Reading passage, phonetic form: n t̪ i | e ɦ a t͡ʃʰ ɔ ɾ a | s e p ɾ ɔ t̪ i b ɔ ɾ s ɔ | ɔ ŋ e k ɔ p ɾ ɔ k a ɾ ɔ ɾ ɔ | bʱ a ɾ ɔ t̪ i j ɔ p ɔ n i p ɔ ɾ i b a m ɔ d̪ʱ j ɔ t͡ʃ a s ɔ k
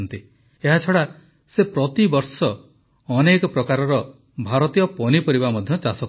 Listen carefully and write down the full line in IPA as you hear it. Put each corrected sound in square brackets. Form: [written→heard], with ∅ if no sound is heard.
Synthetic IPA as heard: n t̪ i | e ɦ a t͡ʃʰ ɔ [ɾ→ɽ] a | s e p ɾ ɔ t̪ i b ɔ ɾ s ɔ | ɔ [ŋ→n] e k ɔ p ɾ ɔ k a ɾ ɔ ɾ ɔ | bʱ a ɾ ɔ t̪ i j ɔ p ɔ n i p ɔ ɾ i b a m ɔ d̪ʱ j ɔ t͡ʃ a s ɔ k

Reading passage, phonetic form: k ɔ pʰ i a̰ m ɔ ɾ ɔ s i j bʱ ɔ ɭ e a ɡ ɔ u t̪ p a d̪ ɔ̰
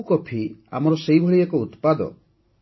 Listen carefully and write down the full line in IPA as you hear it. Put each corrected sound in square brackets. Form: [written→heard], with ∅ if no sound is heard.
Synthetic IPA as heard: k ɔ pʰ i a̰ m ɔ ɾ ɔ s [i→e] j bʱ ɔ ɭ [e→i] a [ɡ→k] ɔ u t̪ p a d̪ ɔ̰

